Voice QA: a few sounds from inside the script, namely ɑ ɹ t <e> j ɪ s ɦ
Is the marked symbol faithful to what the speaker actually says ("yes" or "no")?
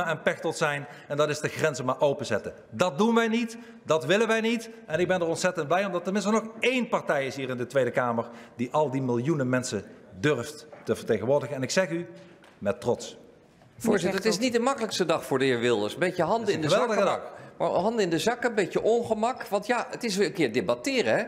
no